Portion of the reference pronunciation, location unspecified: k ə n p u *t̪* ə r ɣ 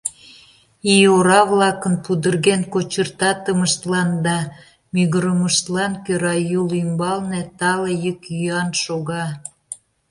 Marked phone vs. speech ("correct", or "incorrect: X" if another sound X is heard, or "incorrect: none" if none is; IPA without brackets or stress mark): incorrect: d̪